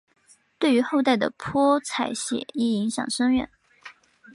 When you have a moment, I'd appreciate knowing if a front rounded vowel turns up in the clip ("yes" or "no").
yes